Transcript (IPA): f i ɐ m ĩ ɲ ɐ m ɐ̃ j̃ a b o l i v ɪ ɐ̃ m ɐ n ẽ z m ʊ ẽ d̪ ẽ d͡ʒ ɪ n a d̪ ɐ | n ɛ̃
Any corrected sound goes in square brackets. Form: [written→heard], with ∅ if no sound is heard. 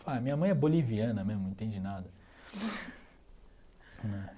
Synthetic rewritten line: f [i→a] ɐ m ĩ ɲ ɐ m ɐ̃ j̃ [a→ɛ] b o l i v [ɪ→i] ɐ̃ [m→n] ɐ [n→m] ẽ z m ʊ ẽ [d̪→t̪] ẽ d͡ʒ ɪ n a d̪ ɐ | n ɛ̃